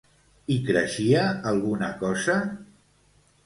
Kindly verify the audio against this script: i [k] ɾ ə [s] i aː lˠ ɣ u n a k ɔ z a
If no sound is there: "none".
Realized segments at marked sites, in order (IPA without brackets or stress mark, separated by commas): k, ʃ